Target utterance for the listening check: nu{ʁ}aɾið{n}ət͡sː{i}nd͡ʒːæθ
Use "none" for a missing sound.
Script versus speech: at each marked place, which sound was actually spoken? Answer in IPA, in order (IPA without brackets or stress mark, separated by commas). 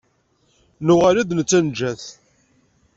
ʁ, n, æ